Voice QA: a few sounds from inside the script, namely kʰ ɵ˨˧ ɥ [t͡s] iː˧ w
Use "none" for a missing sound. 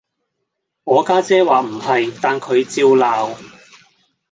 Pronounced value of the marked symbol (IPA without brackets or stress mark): t͡s